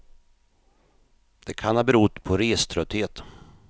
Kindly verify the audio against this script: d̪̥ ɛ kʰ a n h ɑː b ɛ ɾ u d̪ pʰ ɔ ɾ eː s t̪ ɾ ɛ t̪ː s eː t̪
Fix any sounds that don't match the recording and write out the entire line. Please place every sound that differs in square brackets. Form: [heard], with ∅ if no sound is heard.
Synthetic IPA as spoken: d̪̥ ɛ kʰ a n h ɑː b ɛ ɾ u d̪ pʰ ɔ ɾ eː s [t̪ʰ] ɾ [œ] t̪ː [h] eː t̪